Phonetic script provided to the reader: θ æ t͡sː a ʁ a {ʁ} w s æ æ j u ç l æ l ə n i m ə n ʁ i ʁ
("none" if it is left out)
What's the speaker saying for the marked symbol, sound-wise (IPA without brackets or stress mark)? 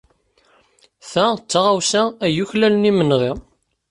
none